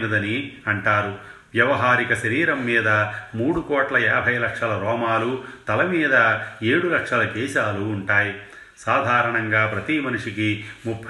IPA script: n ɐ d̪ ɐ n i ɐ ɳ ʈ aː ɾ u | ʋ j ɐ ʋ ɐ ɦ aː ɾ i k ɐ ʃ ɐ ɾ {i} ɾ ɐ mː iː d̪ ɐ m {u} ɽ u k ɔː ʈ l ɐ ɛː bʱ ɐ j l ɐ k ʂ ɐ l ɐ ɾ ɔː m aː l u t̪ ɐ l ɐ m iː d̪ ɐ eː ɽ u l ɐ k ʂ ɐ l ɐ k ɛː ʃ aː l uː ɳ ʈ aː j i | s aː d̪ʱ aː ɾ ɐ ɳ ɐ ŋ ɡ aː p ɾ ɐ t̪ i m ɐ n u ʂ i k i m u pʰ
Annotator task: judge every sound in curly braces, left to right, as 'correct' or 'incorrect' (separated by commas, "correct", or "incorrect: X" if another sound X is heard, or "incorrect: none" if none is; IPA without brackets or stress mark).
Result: incorrect: iː, incorrect: uː